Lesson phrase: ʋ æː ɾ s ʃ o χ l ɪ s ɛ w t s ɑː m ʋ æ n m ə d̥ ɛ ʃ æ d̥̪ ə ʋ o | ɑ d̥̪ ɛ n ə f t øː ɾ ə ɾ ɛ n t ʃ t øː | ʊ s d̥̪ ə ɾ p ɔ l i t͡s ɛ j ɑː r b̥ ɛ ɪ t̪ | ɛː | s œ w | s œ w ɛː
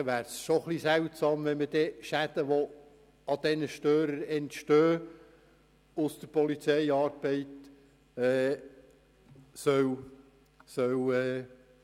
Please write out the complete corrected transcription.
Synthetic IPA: ʋ æː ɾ s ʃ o χ l i s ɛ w t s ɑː m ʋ ɛ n m ə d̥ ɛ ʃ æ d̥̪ ə ʋ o | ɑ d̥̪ ɛ n ə ʃ t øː ɾ ə ɾ ɛ n t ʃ t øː | ʊ s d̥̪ ə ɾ p ɔ l i t͡s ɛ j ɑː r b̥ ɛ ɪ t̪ | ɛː | s œ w | s œ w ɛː